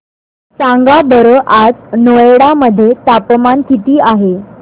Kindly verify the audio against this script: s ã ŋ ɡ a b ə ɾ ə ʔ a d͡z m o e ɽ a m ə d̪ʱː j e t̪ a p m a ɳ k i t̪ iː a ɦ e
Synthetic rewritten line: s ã ŋ ɡ a b ə ɾ ə ʔ a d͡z n o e ɽ a m ə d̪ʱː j e t̪ a p m a n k i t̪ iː a ɦ e